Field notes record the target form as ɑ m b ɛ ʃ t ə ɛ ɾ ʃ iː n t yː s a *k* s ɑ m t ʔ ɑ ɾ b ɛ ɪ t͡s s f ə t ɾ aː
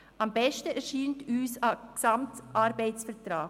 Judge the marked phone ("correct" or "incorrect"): correct